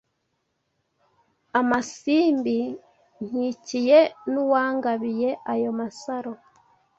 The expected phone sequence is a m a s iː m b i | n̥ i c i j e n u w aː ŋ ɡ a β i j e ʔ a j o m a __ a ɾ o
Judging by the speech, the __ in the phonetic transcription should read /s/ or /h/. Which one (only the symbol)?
s